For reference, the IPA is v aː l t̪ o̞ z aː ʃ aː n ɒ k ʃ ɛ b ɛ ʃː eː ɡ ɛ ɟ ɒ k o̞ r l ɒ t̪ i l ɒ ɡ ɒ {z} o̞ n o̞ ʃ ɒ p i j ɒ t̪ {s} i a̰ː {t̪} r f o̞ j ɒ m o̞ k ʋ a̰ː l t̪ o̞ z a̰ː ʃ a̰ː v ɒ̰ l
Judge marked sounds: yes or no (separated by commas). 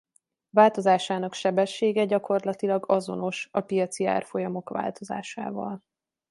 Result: yes, yes, no